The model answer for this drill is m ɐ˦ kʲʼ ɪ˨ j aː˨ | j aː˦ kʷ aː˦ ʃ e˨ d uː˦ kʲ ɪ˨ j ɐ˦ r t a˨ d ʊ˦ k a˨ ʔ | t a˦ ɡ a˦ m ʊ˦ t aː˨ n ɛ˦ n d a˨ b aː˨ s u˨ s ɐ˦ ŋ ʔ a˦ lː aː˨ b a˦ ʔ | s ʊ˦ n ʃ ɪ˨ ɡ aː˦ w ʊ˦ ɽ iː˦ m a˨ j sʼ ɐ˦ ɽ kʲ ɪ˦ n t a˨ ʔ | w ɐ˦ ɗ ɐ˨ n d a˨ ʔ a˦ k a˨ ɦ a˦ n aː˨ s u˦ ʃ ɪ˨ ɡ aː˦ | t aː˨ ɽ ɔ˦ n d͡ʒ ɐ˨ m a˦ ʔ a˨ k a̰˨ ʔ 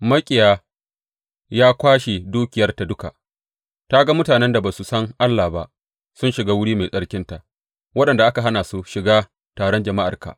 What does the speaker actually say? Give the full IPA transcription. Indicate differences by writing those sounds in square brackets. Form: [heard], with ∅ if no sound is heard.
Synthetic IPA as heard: m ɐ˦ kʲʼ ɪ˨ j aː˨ | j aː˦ kʷ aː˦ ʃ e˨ d uː˦ kʲ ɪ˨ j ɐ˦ r t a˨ d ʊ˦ k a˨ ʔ | t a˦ ɡ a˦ m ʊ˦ t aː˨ n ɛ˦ n d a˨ b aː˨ s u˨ s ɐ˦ ŋ ʔ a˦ lː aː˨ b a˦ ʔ | s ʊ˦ n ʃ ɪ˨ ɡ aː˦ w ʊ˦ ɽ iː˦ m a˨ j sʼ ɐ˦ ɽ kʲ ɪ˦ n t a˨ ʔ | w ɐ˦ ɗ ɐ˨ n d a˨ ʔ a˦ k a˨ ɦ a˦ n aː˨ s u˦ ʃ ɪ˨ ɡ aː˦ | t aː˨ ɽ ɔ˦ n d͡ʒ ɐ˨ m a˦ ʔ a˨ k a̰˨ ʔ